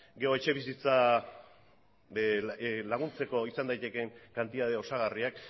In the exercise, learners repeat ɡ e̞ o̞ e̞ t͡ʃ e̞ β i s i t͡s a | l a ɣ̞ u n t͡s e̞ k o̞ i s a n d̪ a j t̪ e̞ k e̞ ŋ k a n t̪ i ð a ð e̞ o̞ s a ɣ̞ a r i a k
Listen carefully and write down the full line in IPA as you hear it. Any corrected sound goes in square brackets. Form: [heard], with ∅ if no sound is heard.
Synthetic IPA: ɡ e̞ o̞ e̞ t͡ʃ e̞ β i s i t͡s a | l a ɣ̞ u n t͡s e̞ k o̞ i s a n d̪ a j t̪ e̞ k e̞ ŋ k a n t̪ i ð a ð e̞ o̞ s a ɣ̞ a r i a k